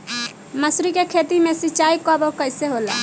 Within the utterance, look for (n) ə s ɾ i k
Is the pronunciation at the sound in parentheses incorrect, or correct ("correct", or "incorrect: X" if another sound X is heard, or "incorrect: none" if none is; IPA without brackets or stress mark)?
incorrect: m